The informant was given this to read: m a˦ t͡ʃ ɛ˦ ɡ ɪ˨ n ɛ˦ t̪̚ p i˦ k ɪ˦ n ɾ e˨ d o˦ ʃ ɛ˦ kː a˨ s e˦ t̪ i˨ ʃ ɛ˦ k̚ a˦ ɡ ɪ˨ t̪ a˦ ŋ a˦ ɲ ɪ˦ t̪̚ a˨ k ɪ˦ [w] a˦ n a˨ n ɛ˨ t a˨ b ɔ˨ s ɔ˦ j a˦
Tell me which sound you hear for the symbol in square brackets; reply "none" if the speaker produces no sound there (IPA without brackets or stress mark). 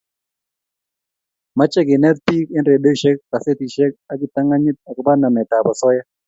b